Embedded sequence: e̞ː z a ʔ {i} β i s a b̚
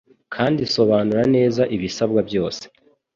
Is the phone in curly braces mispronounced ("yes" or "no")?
no